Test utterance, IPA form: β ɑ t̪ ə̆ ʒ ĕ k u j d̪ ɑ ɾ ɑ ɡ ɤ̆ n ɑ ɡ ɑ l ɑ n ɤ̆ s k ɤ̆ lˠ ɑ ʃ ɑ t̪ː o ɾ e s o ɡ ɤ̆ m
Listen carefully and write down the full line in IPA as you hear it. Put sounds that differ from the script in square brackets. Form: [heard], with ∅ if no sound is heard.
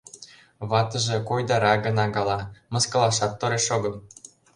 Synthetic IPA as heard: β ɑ t̪ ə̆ ʒ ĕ k [o] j d̪ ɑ ɾ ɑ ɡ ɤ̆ n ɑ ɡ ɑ l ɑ [m] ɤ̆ s k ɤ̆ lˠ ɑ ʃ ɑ t̪ː o ɾ e [ʃ] o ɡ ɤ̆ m